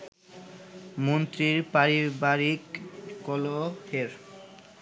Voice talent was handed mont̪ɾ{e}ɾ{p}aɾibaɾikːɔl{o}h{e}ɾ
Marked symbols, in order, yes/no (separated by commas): no, yes, yes, yes